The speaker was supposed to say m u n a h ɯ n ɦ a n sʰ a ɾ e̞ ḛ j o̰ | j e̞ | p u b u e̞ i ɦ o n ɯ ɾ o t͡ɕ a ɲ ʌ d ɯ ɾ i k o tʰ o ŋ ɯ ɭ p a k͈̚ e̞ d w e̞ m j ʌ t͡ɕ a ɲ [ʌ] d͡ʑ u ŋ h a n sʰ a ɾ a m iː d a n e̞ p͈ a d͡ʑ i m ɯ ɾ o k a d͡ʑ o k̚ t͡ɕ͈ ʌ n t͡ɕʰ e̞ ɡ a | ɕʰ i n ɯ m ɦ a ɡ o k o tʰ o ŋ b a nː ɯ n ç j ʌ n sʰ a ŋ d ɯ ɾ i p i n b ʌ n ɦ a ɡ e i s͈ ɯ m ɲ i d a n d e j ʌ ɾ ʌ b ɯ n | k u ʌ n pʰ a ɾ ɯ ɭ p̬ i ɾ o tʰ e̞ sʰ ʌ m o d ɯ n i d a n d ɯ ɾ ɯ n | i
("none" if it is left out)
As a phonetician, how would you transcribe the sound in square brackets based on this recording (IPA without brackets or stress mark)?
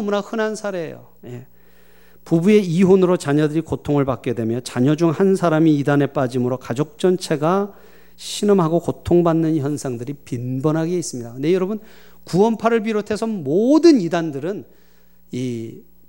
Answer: ʌ